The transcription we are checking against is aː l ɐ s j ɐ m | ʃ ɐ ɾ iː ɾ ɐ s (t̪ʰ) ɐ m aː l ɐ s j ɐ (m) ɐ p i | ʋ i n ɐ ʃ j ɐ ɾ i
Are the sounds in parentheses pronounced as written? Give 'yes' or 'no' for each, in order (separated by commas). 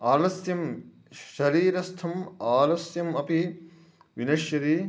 yes, yes